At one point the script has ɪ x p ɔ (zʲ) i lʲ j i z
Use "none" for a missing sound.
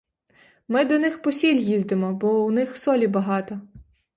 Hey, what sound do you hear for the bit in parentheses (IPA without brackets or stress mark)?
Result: sʲ